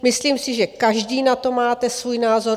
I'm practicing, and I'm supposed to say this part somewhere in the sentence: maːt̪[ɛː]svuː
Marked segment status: incorrect: ɛ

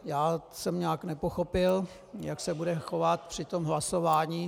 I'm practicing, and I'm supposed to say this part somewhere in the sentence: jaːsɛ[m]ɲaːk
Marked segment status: correct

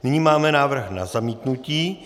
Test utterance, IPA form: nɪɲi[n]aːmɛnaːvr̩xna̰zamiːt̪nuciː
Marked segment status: incorrect: m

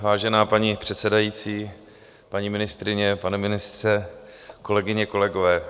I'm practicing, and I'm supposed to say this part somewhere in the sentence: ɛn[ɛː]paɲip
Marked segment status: incorrect: aː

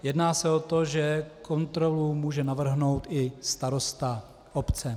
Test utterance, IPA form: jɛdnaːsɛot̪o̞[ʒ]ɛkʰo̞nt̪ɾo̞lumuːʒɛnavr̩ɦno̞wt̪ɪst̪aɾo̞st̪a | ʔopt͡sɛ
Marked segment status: correct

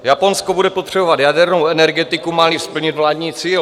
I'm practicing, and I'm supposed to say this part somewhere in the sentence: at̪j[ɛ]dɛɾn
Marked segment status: incorrect: a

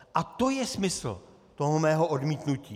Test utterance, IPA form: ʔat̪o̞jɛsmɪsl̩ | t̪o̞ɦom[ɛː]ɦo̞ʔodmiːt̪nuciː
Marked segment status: correct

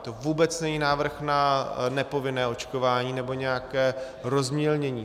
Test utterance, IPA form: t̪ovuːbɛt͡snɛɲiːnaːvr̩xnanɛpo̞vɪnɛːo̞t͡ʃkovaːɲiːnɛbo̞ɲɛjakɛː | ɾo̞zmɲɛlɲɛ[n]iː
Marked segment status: incorrect: ɲ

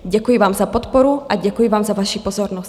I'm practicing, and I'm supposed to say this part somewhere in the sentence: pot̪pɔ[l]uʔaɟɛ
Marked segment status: incorrect: ɾ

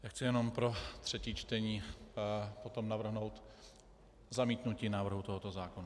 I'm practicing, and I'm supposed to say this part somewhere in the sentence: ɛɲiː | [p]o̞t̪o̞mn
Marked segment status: correct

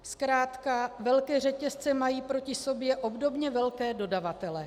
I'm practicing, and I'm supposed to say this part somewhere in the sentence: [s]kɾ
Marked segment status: correct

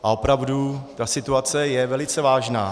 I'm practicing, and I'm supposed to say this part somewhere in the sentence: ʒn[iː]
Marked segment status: incorrect: aː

